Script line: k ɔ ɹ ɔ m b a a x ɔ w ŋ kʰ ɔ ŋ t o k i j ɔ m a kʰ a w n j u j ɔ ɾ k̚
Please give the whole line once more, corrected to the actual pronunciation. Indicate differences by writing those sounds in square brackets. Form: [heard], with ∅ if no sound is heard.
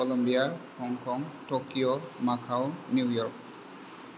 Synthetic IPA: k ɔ [l] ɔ m b [i] a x ɔ [∅] ŋ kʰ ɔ ŋ t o k i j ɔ m a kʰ a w n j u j ɔ [ɹ] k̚

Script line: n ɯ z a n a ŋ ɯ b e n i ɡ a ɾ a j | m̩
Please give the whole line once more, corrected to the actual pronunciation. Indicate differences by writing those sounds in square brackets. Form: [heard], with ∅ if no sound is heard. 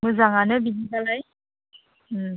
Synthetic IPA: [m] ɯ z a [ŋ] a [n] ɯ b [i] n i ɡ a [l] a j | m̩

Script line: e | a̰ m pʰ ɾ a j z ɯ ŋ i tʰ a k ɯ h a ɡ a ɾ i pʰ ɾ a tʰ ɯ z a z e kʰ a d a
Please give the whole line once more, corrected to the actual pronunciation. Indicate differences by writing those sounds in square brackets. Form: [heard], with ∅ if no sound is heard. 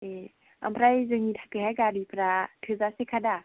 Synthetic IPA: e | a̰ m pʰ ɾ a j z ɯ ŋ i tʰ a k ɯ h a ɡ a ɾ i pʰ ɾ a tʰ ɯ z a [s] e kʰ a d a

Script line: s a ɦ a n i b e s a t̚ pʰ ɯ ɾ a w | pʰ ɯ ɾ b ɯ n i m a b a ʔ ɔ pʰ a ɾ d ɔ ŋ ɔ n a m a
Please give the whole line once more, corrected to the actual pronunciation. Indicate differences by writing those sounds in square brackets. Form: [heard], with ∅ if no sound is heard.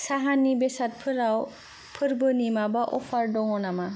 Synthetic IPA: s a ɦ a n i b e s a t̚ pʰ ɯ ɾ a w | pʰ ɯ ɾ b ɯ n i m a b a ʔ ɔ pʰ a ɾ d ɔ ŋ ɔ n a m a

